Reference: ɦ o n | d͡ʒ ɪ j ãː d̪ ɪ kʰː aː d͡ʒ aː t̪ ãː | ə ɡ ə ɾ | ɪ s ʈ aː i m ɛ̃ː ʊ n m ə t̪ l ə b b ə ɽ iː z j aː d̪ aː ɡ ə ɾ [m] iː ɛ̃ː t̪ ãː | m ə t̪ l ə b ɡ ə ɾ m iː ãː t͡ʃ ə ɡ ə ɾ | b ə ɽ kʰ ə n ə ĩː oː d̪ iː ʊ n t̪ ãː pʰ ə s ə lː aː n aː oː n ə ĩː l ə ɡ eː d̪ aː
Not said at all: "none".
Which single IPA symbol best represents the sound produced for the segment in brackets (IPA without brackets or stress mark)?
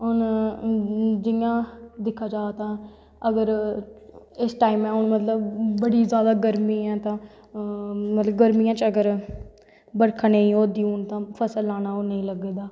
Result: m